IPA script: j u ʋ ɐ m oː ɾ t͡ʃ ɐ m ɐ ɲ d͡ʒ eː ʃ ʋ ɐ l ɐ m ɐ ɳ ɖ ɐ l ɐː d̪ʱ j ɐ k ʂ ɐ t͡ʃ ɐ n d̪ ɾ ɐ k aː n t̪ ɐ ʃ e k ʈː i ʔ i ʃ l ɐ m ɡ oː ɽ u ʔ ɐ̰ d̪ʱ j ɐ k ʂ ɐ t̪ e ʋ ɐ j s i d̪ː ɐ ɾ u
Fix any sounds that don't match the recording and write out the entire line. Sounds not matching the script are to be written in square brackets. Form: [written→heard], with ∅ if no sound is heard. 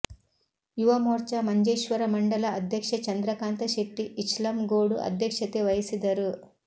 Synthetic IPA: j u ʋ ɐ m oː ɾ t͡ʃ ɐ m ɐ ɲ d͡ʒ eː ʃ ʋ ɐ [l→ɾ] ɐ m ɐ ɳ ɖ ɐ l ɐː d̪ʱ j ɐ k ʂ ɐ t͡ʃ ɐ n d̪ ɾ ɐ k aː n t̪ ɐ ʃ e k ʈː i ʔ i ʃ l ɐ m ɡ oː ɽ u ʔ ɐ̰ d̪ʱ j ɐ k ʂ ɐ t̪ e ʋ ɐ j s i [d̪ː→d̪] ɐ ɾ u

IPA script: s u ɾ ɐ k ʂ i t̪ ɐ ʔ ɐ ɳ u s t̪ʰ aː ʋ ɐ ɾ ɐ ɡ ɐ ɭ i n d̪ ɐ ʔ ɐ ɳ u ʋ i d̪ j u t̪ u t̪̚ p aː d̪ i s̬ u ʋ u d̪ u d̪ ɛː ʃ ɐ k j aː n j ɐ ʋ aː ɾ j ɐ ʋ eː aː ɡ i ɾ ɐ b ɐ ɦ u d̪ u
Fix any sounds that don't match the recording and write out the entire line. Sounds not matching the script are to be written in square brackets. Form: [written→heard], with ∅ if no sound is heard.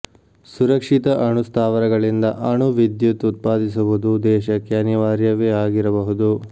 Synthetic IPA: s u ɾ ɐ k ʂ i t̪ ɐ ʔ ɐ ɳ u s t̪ʰ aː ʋ ɐ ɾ ɐ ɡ ɐ ɭ i n d̪ ɐ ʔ ɐ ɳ u ʋ i d̪ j u t̪ u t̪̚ p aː d̪ i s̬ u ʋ u d̪ u d̪ ɛː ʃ ɐ k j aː n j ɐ ʋ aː ɾ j ɐ ʋ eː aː ɡ i ɾ ɐ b ɐ ɦ u d̪ u

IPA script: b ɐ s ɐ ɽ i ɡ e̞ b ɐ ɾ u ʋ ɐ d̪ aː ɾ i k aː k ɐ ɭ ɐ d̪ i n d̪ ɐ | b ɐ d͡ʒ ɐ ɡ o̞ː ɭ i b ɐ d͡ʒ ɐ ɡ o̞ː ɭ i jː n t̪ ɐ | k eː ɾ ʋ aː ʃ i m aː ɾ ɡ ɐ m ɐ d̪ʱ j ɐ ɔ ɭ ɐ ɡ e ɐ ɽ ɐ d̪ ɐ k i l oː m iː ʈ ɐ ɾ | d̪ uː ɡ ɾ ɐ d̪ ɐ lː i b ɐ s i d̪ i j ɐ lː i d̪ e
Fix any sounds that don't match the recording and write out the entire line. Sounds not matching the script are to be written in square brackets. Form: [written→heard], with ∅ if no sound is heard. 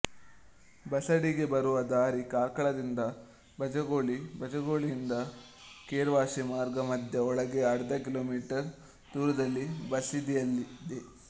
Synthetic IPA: b ɐ s ɐ ɽ i ɡ e̞ b ɐ ɾ u ʋ ɐ d̪ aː ɾ i k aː k ɐ ɭ ɐ d̪ i n d̪ ɐ | b ɐ d͡ʒ ɐ ɡ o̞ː ɭ i b ɐ d͡ʒ ɐ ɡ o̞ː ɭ i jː n [t̪→d̪] ɐ | k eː ɾ ʋ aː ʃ i m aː ɾ ɡ ɐ m ɐ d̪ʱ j ɐ ɔ ɭ ɐ ɡ e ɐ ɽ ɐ d̪ ɐ k i l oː m iː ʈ ɐ ɾ | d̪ uː [ɡ→∅] ɾ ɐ d̪ ɐ lː i b ɐ s i d̪ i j ɐ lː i d̪ e

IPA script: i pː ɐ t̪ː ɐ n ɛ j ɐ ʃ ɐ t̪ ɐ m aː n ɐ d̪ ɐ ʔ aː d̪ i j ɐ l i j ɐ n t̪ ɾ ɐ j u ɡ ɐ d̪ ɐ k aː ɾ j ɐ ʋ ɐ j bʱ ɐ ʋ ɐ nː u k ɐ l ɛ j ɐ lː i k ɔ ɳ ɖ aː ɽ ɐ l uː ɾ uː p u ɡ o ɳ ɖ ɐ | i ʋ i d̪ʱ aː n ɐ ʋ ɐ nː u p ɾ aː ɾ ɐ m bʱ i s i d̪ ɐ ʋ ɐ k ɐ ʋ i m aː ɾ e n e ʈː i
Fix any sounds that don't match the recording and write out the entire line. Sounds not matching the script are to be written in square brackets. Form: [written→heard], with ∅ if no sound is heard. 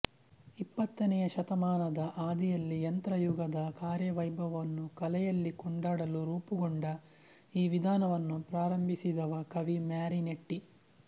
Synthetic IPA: i pː ɐ t̪ː ɐ n ɛ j ɐ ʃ ɐ t̪ ɐ m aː n ɐ d̪ ɐ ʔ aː d̪ i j ɐ [l→lː] i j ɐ n t̪ ɾ ɐ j u ɡ ɐ d̪ ɐ k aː ɾ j ɐ ʋ ɐ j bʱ ɐ ʋ ɐ nː u k ɐ l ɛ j ɐ lː i k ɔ ɳ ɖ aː ɽ ɐ l [uː→u] ɾ uː p u ɡ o ɳ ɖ ɐ | [i→iː] ʋ i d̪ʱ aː n ɐ ʋ ɐ nː u p ɾ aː ɾ ɐ m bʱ i s i d̪ ɐ ʋ ɐ k ɐ ʋ i m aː ɾ [e→i] n e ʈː i

